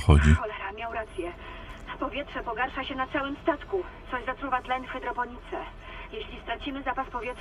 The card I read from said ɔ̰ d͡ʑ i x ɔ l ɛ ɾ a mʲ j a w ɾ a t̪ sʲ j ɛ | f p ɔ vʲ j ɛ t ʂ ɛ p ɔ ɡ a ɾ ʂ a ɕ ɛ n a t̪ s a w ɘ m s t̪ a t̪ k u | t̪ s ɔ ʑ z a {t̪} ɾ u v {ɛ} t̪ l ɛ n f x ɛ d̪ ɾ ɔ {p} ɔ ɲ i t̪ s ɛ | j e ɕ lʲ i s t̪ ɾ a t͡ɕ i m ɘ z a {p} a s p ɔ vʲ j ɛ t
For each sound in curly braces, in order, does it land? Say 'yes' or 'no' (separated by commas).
yes, no, yes, yes